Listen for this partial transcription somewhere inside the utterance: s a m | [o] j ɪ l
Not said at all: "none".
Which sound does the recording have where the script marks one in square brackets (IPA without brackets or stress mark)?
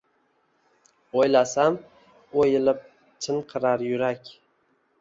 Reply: o